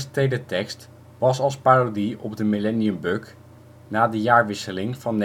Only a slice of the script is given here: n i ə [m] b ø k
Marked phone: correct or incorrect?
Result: correct